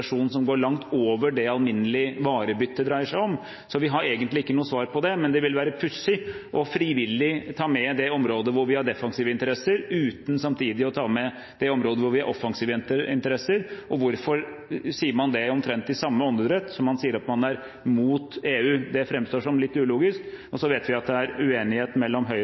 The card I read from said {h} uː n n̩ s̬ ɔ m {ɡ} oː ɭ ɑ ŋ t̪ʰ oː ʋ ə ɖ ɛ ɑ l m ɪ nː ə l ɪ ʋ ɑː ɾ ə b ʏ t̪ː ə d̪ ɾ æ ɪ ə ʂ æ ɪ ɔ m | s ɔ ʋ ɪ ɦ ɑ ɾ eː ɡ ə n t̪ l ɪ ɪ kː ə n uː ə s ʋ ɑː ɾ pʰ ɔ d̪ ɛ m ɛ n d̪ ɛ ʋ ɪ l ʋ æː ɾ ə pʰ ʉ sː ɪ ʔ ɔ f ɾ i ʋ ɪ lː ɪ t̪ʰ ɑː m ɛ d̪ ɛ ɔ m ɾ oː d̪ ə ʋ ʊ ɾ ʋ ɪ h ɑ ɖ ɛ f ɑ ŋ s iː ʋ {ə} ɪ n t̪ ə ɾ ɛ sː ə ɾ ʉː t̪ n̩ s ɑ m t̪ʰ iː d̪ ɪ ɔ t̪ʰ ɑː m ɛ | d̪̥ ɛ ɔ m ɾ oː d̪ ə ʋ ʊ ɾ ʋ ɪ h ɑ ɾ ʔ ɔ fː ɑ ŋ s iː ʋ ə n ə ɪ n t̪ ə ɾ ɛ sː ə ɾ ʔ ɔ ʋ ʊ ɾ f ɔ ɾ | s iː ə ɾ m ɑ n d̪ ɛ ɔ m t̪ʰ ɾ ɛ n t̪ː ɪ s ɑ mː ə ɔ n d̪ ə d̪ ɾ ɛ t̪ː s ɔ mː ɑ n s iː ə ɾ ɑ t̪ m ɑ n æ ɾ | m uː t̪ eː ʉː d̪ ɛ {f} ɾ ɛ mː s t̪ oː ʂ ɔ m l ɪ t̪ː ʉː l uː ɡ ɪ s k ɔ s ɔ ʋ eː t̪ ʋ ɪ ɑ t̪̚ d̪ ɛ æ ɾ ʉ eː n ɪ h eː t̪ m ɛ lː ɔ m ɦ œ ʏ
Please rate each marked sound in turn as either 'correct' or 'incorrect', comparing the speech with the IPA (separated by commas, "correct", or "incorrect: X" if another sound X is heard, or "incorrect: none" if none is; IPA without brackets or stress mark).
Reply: incorrect: ʂ, correct, correct, correct